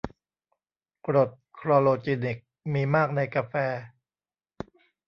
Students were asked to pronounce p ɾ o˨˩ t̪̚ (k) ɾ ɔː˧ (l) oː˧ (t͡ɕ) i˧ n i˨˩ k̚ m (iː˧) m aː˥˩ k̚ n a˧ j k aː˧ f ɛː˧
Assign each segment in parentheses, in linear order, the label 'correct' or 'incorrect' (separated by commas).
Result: incorrect, correct, correct, correct